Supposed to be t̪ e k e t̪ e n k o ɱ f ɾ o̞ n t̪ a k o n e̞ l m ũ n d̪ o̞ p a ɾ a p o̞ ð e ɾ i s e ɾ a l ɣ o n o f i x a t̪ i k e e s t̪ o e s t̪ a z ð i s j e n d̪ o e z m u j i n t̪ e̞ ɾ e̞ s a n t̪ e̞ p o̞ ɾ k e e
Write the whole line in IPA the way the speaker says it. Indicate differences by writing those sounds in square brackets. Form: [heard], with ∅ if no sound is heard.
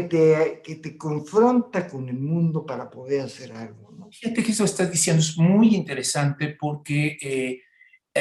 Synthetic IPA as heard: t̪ e k e t̪ e [∅] k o ɱ f ɾ o̞ n t̪ a k o n e̞ l m ũ n d̪ o̞ p a ɾ a p o̞ ð e ɾ [a] s e ɾ a l ɣ o n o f i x a t̪ [e] k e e s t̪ o e s t̪ a z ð i s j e n d̪ o e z m u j i n t̪ e̞ ɾ e̞ s a n t̪ e̞ p o̞ ɾ k e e